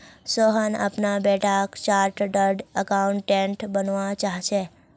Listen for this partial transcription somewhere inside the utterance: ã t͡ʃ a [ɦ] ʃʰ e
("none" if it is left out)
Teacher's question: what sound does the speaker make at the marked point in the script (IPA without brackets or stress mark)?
ɦ